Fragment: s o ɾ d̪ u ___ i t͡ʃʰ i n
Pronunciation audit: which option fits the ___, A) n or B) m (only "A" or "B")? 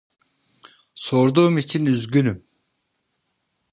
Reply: B